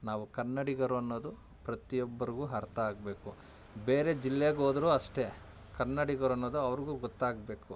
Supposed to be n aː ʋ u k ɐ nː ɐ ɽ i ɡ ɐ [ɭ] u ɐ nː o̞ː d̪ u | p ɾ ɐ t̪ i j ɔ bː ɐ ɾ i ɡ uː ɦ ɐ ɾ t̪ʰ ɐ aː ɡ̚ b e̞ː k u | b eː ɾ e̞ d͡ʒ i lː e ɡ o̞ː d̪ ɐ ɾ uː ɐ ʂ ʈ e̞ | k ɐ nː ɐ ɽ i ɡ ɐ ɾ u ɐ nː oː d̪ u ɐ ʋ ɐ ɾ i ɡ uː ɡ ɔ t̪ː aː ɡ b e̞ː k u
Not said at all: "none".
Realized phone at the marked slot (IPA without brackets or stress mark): ɾ